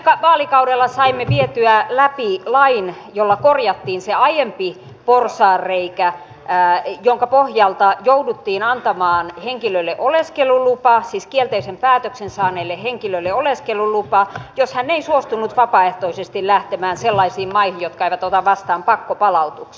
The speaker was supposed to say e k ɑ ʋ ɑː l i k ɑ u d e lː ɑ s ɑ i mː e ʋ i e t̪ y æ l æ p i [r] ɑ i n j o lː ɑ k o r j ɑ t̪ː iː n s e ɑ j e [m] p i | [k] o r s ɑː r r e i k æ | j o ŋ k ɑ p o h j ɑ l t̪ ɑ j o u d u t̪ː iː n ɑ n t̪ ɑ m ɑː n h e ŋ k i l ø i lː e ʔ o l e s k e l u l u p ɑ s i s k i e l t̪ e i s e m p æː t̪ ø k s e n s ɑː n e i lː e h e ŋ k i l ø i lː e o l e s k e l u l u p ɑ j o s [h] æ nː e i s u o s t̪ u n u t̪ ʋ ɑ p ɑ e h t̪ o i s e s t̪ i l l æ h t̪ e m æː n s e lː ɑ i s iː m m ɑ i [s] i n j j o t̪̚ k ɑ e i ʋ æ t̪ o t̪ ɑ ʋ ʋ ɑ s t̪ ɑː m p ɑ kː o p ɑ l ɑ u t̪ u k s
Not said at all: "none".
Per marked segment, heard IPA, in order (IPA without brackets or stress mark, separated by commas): l, m, p, h, h